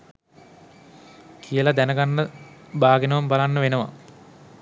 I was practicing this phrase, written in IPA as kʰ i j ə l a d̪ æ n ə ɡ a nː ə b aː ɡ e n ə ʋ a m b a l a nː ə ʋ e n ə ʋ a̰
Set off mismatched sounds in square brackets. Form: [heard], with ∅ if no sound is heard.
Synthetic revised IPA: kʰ i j ə l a d̪ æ n ə ɡ a nː ə b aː ɡ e n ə ʋ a m b a l a nː ə ʋ e n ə ʋ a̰